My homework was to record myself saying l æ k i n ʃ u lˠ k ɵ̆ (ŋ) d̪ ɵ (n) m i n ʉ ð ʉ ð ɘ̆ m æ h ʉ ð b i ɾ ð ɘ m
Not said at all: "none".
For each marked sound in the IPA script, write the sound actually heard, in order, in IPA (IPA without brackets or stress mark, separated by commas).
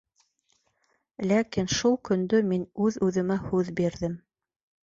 n, none